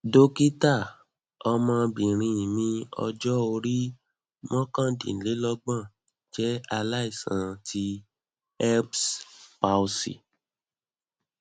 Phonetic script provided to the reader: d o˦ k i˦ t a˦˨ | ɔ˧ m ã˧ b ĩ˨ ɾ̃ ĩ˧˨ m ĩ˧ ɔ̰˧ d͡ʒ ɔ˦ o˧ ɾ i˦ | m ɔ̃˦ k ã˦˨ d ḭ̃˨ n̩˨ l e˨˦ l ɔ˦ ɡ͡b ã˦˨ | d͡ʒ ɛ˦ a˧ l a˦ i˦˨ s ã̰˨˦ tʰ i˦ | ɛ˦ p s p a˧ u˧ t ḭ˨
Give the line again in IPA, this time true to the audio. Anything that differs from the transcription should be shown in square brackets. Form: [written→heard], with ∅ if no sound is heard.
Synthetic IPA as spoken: d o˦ k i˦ t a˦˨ | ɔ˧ m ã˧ b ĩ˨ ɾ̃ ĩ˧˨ m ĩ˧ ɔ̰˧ d͡ʒ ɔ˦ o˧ ɾ i˦ | m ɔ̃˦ k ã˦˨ d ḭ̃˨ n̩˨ l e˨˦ l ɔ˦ ɡ͡b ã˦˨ | d͡ʒ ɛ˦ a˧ l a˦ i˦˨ s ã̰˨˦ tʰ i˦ | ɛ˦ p s p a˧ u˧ [t→s] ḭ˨